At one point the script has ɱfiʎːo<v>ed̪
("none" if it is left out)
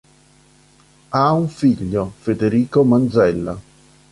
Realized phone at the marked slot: f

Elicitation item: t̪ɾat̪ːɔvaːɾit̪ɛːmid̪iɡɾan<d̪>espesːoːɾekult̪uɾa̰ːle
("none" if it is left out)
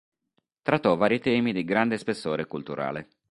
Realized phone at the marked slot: d̪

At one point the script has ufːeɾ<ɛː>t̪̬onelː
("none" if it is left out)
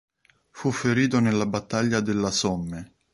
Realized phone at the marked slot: iː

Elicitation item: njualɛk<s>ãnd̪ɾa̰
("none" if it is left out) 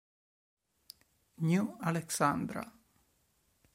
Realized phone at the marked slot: s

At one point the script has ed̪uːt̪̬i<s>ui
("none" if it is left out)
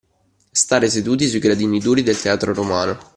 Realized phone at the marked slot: s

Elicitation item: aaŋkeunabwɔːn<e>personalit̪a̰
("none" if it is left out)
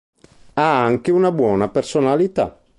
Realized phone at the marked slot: a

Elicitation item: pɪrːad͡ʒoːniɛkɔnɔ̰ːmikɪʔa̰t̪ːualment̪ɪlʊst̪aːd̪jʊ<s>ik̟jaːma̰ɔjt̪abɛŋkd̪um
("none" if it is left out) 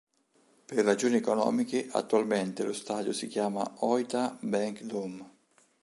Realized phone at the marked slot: s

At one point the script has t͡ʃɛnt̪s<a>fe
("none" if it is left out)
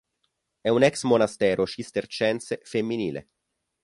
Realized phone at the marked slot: e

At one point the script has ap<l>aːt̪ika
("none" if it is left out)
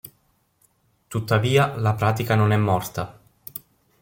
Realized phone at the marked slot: ɾ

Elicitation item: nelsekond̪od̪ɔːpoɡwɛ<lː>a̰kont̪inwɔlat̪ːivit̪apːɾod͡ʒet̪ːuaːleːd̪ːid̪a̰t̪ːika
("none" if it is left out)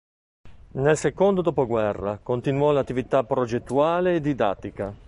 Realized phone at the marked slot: rː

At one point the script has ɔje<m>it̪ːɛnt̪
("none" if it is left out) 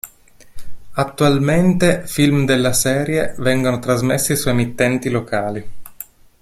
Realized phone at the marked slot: m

